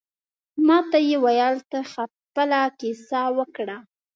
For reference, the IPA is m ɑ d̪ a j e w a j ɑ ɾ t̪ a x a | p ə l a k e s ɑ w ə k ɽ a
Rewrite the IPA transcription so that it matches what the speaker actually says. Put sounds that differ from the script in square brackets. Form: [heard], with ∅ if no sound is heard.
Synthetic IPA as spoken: m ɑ [t̪] a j e w a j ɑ [l] t̪ a x a | p ə l a k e s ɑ w ə k ɽ a